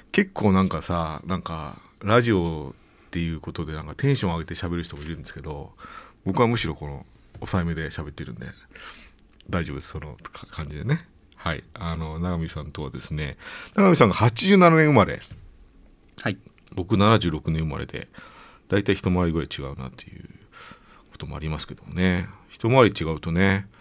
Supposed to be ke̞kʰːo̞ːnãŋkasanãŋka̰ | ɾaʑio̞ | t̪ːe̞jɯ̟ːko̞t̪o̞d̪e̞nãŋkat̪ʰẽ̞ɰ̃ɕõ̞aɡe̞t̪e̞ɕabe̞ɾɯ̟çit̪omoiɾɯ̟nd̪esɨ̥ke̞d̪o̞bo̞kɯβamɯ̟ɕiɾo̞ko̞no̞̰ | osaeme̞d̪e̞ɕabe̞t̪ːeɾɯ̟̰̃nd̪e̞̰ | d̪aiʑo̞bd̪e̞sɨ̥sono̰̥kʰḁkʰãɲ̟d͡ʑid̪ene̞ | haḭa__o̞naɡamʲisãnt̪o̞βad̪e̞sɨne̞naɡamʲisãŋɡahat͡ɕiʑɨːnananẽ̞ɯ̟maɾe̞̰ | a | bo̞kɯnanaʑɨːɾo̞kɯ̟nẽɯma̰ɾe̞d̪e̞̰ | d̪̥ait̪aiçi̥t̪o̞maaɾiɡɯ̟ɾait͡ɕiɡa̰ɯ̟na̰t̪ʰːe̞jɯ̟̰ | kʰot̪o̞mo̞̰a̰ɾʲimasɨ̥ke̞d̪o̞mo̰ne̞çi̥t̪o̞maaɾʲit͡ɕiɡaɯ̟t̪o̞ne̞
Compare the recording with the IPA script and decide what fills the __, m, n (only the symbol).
n